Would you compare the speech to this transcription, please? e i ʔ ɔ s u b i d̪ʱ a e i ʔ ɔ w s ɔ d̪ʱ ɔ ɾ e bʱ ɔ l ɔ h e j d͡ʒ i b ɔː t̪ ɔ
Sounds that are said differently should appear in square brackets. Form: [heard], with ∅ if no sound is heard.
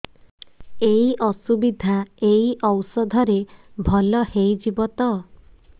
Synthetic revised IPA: e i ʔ ɔ s u b i d̪ʱ a e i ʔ ɔ w s ɔ d̪ʱ ɔ ɾ e bʱ ɔ l ɔ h e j d͡ʒ i b [ɔ] t̪ ɔ